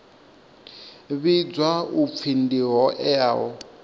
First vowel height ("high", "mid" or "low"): high